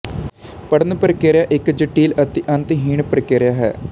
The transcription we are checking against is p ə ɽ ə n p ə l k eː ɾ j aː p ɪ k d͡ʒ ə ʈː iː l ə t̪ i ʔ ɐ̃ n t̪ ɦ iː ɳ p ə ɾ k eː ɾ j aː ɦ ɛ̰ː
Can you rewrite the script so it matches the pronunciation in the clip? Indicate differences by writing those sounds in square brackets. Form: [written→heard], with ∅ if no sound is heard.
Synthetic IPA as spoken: p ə ɽ ə n p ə [l→ɾ] k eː ɾ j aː [p→ʔ] ɪ k d͡ʒ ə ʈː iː l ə t̪ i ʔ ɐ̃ n t̪ ɦ iː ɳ p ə ɾ k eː ɾ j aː ɦ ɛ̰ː